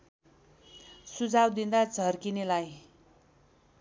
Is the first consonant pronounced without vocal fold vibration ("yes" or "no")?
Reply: yes